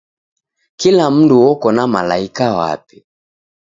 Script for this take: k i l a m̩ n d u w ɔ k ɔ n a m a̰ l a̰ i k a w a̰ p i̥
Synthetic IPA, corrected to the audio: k i l a m̩ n d u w ɔ k ɔ n a m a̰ l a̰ i k a w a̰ p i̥